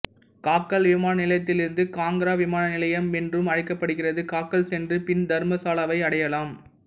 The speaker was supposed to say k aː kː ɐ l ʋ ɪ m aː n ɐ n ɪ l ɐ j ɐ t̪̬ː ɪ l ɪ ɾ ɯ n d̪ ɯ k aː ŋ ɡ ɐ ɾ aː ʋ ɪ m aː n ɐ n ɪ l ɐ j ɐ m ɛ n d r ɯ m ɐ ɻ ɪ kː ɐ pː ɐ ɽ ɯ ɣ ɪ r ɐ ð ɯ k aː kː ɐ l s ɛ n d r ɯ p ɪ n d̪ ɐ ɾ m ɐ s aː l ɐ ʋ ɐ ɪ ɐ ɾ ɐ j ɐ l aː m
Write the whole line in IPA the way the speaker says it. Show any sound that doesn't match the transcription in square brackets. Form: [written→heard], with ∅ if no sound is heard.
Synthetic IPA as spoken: k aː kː ɐ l ʋ ɪ m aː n ɐ n ɪ l ɐ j ɐ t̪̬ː ɪ l ɪ ɾ ɯ n d̪ ɯ k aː ŋ ɡ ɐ ɾ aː ʋ ɪ m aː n ɐ n ɪ l ɐ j ɐ m ɛ n d r ɯ m ɐ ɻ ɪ kː ɐ pː ɐ ɽ ɯ ɣ ɪ r ɐ ð ɯ k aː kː ɐ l s ɛ n d r ɯ p ɪ n d̪ ɐ ɾ m ɐ s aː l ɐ ʋ ɐ ɪ ɐ [ɾ→ɽ] ɐ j ɐ l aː m